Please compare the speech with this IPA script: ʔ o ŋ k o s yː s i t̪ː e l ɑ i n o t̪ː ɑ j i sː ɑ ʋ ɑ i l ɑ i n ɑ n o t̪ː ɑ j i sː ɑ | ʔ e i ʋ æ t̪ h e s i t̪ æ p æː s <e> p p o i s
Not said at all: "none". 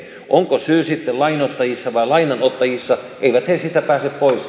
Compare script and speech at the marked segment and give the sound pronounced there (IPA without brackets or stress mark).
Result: e